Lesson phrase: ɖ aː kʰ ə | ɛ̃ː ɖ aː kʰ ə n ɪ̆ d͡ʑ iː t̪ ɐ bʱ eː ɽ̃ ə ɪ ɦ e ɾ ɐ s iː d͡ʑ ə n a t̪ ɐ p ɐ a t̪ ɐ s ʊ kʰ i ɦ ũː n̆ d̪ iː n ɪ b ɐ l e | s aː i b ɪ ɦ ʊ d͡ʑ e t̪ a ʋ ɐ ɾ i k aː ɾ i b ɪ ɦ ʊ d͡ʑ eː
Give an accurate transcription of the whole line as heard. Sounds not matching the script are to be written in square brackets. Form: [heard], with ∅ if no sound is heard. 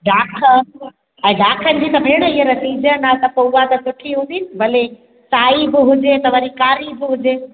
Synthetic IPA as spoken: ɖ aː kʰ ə | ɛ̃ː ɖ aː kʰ ə n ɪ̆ d͡ʑ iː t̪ ɐ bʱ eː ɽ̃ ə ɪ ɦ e ɾ ɐ s iː d͡ʑ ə n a t̪ ɐ p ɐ a t̪ ɐ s ʊ [ʈʰ] i ɦ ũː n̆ d̪ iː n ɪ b ɐ l e | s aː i b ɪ ɦ ʊ d͡ʑ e t̪ [ɐ] ʋ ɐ ɾ i k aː ɾ i b ɪ ɦ ʊ d͡ʑ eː